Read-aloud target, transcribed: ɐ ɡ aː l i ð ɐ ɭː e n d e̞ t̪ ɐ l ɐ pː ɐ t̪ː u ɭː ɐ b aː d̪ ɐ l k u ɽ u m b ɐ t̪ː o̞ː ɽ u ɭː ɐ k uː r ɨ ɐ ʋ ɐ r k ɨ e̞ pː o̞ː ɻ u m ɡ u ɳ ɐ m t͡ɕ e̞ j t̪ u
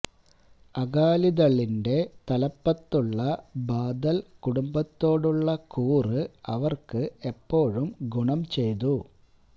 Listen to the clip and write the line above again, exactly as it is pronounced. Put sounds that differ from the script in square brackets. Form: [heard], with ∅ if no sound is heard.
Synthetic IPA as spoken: ɐ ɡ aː l i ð ɐ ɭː [i] n d e̞ t̪ ɐ l ɐ pː ɐ t̪ː u ɭː ɐ b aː d̪ ɐ l k u ɽ u m b ɐ t̪ː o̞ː ɽ u ɭː ɐ k uː r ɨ ɐ ʋ ɐ r k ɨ e̞ pː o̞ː ɻ u m ɡ u ɳ ɐ m t͡ɕ e̞ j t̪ u